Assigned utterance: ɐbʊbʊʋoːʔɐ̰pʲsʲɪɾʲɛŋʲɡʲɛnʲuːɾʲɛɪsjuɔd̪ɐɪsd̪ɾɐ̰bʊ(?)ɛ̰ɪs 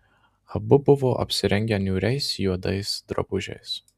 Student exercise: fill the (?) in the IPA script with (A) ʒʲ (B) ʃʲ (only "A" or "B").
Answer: A